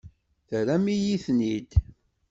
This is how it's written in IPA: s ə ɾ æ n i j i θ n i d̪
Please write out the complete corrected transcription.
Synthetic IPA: θ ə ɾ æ m i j i θ n i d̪

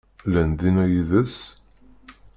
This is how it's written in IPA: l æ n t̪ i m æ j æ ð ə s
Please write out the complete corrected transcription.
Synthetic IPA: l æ n d̪ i n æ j i ð ə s

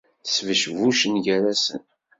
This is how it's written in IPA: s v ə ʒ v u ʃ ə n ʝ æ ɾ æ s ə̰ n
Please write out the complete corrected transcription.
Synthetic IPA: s v ə ʃ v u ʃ ə n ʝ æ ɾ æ s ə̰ n

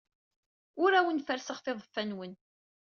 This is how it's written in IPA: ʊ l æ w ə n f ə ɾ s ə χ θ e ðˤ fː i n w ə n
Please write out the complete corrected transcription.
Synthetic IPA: ʊ ɾ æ w ə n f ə ɾ s ə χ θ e ðˤ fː æ n w ə n

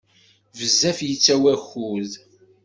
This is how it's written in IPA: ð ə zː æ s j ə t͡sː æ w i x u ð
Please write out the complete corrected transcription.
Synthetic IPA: v ə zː æ f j ə t͡sː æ w æ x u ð

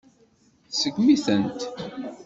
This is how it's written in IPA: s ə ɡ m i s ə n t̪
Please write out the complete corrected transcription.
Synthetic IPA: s ə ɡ m i θ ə n t̪

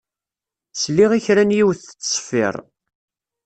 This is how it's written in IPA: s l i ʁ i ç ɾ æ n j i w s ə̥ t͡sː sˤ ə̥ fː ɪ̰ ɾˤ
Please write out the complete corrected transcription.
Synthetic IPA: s l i ʁ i ç ɾ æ n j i w θ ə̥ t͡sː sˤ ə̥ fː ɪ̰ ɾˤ

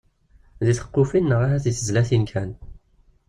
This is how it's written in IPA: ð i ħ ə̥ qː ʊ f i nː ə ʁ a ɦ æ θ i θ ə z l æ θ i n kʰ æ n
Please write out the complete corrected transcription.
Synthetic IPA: ð i θ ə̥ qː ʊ f i nː ə ʁ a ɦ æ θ i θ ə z l æ θ i n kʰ æ n

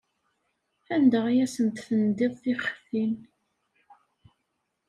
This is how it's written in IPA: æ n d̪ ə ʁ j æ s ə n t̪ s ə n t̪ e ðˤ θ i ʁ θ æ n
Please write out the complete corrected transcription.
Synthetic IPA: æ n d̪ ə ʁ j æ s ə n t̪ θ ə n d̪ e ðˤ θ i χ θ i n

